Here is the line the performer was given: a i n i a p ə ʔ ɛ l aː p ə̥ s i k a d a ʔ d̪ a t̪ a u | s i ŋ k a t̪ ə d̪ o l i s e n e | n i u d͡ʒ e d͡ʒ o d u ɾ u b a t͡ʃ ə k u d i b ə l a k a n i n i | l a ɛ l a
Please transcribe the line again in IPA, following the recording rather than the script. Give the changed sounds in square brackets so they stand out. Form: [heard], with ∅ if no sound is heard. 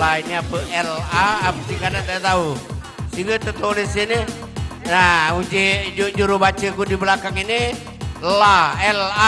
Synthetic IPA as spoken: a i n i a p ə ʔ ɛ l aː p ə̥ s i k a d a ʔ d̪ a t̪ a u | s i ŋ [ɡ] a t̪ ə [t̪] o l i s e n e | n [a] u d͡ʒ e d͡ʒ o [d͡ʒ] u ɾ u b a t͡ʃ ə k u d i b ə l a k a [ŋ] i n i | l a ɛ l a